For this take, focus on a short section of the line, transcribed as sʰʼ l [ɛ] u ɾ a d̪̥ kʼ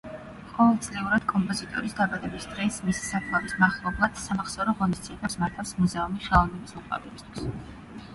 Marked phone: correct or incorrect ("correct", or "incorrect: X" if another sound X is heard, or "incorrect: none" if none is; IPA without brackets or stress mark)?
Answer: correct